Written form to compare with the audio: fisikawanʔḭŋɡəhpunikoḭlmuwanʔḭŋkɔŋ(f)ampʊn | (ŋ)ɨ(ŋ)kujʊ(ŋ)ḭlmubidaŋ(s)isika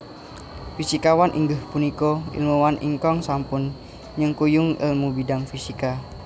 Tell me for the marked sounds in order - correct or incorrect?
incorrect: s, incorrect: ɲ, correct, correct, incorrect: f

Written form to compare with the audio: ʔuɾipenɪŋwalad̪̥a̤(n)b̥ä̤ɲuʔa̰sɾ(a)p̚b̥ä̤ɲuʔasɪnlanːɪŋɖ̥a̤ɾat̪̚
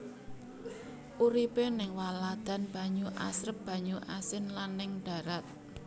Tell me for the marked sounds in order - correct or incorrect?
correct, incorrect: ə

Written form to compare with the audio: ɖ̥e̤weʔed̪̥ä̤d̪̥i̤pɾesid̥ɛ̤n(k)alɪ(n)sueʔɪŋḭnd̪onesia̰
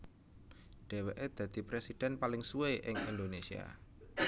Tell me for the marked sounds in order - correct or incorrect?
incorrect: p, incorrect: ŋ

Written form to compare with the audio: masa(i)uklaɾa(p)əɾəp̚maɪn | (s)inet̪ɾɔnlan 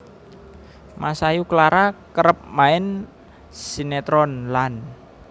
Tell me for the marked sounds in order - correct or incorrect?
incorrect: j, incorrect: k, correct

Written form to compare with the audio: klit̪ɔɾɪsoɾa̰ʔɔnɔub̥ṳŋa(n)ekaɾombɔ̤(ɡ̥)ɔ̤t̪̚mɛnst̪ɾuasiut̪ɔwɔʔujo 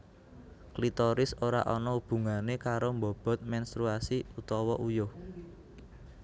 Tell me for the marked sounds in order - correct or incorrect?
correct, incorrect: b̥

